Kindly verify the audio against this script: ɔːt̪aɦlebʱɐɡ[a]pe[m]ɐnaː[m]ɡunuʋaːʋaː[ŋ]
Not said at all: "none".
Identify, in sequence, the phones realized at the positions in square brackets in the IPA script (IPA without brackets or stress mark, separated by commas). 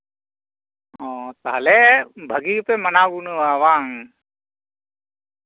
i, m, none, ŋ